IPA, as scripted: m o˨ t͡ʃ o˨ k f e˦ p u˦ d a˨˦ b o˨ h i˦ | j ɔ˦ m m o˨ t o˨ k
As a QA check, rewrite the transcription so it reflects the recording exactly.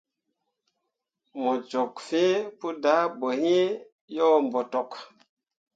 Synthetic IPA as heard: m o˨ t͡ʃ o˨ k f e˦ p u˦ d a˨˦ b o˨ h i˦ | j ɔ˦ m b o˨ t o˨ k